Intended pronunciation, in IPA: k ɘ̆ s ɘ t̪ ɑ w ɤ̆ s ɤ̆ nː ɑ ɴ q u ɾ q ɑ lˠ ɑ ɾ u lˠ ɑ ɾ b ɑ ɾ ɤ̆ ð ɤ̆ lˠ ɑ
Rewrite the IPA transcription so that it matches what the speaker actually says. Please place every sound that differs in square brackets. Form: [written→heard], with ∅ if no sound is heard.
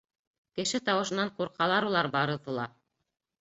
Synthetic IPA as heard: k ɘ̆ [s→ʃ] ɘ t̪ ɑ w ɤ̆ [s→ʃ] ɤ̆ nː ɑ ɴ q u ɾ q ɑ lˠ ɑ ɾ u lˠ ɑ ɾ b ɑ ɾ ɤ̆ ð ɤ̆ lˠ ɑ